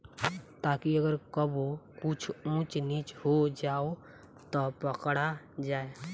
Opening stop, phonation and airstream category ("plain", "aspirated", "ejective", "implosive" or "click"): plain